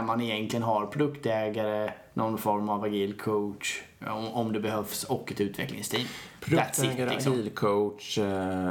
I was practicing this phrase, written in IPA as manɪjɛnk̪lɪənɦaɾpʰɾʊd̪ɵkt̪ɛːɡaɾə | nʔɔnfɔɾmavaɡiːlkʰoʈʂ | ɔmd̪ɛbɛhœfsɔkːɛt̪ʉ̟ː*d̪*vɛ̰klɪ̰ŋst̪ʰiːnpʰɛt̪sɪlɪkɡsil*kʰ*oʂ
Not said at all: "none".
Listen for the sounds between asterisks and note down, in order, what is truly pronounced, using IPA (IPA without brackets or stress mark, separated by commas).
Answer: t̪, kʰ